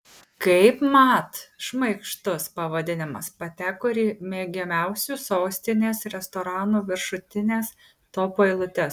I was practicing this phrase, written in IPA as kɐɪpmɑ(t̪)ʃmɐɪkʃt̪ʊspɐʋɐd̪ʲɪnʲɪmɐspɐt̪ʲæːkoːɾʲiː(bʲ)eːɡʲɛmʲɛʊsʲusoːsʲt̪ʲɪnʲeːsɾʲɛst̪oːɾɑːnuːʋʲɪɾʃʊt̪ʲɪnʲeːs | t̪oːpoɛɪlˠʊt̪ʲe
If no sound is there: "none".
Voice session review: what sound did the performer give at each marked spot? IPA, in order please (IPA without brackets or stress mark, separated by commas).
t̪, mʲ